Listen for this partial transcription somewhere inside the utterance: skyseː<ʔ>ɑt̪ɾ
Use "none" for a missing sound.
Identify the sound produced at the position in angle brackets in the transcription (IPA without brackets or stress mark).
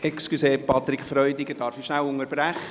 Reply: p